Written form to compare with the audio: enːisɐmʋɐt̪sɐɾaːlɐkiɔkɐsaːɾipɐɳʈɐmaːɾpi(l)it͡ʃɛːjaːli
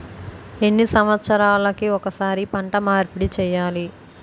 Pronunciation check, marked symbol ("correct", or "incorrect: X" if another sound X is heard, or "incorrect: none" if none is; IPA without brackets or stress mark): incorrect: ɽ